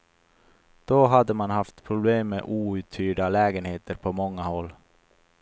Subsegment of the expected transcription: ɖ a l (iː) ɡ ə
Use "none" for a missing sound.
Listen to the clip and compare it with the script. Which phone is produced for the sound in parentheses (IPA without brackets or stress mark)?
ɛː